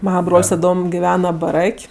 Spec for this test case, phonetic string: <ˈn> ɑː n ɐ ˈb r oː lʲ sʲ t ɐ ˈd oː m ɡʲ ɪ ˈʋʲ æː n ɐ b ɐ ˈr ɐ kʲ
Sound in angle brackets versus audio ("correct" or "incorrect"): incorrect